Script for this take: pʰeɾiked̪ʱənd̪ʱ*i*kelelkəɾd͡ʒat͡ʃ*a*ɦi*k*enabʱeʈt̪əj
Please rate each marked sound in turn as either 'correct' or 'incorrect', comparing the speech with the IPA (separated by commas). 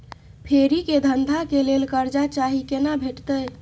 incorrect, correct, correct